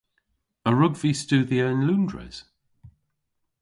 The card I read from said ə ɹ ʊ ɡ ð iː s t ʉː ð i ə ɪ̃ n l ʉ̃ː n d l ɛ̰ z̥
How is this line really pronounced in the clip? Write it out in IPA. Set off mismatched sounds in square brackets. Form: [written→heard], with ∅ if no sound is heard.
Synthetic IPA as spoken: ə ɹ ʊ ɡ [ð→v] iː s t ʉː ð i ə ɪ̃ n l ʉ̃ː n d [l→ɹ] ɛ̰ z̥